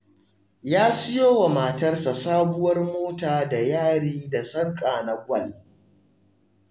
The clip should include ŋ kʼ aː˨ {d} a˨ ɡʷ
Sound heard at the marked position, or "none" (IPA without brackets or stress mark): n